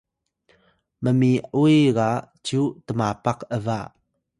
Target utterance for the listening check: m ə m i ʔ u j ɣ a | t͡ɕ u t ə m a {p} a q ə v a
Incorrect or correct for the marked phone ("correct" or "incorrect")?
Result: correct